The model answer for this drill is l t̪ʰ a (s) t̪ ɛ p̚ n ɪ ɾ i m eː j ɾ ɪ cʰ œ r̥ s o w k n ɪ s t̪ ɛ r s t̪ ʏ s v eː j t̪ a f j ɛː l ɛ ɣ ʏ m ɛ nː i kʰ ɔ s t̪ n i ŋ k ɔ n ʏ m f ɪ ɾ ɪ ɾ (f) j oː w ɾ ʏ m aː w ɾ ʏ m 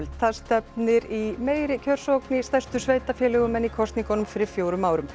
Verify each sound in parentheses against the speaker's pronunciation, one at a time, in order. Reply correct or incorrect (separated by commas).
correct, correct